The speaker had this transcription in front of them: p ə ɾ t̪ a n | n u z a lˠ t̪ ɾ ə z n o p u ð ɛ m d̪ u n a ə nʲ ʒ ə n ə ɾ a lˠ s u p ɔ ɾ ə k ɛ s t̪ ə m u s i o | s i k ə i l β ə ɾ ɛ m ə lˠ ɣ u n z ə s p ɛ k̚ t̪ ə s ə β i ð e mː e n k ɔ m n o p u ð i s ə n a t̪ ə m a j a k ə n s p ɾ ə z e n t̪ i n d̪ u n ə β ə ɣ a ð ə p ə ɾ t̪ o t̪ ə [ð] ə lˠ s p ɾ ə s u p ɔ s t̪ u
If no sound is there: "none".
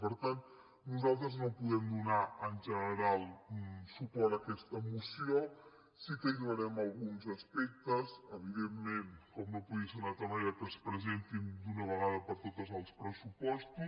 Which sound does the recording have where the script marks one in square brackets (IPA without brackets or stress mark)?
z